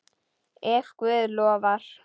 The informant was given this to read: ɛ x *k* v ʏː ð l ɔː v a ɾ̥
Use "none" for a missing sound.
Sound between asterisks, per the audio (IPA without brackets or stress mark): k